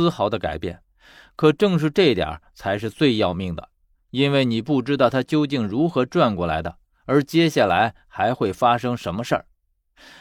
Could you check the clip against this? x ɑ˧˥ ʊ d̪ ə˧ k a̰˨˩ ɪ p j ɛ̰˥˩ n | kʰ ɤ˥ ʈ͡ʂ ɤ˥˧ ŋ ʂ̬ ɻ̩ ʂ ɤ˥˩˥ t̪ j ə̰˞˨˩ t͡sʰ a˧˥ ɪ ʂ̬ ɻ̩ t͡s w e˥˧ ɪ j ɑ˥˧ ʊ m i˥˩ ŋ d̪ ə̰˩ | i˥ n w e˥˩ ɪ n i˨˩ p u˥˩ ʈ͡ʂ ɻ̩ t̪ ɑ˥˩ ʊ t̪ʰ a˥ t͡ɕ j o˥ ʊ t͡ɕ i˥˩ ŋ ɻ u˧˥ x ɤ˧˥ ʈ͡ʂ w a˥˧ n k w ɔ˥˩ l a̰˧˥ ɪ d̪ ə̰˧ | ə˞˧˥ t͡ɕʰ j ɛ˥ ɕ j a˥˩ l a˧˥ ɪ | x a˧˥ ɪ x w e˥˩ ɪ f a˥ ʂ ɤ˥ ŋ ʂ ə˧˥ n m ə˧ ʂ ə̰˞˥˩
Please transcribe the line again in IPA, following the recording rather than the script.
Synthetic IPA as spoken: x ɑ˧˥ ʊ d̪ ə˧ k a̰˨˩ ɪ p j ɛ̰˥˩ n | kʰ ɤ˨˩ ʈ͡ʂ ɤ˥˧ ŋ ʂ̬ ɻ̩ ʈ͡ʂ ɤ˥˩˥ t̪ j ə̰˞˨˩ t͡sʰ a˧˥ ɪ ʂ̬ ɻ̩ t͡s w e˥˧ ɪ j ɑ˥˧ ʊ m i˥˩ ŋ d̪ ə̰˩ | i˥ n w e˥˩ ɪ n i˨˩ p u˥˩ ʈ͡ʂ ɻ̩ t̪ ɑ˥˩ ʊ t̪ʰ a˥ t͡ɕ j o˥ ʊ t͡ɕ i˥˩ ŋ ɻ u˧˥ x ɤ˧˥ ʈ͡ʂ w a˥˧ n k w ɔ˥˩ l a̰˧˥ ɪ d̪ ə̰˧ | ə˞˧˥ t͡ɕ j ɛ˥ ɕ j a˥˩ l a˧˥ ɪ | x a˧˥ ɪ x w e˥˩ ɪ f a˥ ʂ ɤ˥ ŋ ʂ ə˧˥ n m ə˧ ʂ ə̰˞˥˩